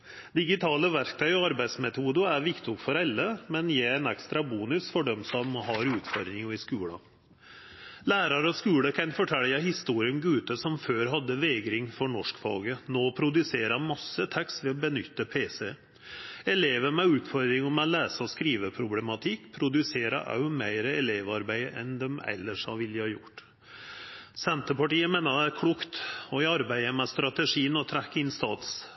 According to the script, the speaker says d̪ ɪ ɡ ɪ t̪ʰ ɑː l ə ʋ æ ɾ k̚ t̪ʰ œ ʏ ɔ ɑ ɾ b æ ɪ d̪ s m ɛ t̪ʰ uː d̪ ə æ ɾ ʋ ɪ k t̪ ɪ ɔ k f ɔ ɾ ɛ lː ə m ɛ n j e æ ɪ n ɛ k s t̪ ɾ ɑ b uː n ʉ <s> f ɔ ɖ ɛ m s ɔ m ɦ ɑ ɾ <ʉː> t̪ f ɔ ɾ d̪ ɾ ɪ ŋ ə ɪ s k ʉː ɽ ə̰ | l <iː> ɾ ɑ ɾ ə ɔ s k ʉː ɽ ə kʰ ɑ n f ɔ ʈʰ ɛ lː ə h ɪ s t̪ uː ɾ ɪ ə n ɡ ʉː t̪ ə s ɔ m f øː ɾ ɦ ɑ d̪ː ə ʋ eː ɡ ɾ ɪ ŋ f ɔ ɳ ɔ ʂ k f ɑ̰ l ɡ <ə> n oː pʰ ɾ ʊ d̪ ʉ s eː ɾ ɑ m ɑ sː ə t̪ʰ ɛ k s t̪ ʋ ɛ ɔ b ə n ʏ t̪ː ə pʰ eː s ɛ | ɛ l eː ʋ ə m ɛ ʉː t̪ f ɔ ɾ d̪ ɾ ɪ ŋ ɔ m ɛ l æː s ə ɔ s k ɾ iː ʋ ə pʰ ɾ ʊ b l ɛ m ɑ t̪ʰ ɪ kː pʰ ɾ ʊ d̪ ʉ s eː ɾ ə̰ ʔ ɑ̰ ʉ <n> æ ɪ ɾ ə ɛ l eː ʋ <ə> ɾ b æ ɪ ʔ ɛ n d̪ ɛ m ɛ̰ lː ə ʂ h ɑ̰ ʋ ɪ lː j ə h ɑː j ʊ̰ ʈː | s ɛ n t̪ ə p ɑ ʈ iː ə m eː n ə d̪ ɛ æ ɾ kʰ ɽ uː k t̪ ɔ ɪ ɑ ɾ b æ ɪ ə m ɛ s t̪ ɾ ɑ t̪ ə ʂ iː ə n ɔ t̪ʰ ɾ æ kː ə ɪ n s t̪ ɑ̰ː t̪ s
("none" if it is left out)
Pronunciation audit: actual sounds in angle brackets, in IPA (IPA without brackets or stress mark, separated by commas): s, ʉː, æː, ə, m, ɑ